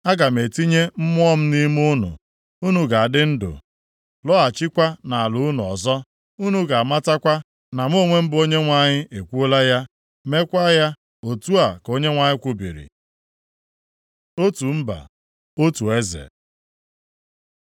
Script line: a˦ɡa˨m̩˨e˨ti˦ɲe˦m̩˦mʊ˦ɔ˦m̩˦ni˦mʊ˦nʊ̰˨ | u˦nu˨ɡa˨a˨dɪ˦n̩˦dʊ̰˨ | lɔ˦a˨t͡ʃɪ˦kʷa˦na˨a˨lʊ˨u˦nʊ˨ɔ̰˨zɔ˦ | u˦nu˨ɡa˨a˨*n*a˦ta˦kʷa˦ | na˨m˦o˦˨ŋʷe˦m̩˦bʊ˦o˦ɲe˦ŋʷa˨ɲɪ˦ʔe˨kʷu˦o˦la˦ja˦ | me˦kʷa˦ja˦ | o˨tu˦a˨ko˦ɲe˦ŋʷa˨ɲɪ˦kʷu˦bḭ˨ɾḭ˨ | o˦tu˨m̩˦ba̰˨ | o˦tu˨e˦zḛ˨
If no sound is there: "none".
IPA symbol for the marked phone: m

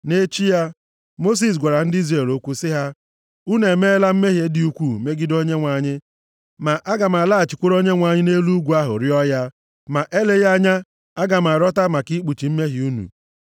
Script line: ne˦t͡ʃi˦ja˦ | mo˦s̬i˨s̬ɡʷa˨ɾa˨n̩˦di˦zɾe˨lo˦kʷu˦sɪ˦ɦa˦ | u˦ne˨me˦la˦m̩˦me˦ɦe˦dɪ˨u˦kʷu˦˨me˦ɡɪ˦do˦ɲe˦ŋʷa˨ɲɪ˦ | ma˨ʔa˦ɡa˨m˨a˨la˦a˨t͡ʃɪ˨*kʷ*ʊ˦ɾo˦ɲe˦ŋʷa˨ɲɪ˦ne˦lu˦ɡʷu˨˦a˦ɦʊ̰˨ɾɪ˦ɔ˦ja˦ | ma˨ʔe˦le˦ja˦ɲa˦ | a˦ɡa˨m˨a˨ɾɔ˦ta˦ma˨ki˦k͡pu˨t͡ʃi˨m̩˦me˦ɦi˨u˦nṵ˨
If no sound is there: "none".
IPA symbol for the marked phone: kʷ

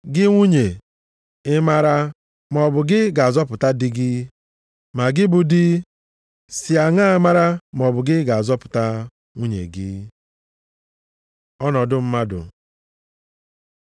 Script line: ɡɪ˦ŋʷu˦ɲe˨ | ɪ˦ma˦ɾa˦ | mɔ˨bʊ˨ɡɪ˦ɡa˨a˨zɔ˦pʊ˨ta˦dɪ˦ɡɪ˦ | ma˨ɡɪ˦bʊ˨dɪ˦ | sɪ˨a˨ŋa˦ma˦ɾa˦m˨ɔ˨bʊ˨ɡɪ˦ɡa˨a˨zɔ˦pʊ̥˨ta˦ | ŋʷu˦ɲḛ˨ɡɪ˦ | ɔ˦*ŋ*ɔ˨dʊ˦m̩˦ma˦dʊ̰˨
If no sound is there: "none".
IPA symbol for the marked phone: n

